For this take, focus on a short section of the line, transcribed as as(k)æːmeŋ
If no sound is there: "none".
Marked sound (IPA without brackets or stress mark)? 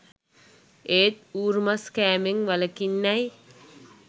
k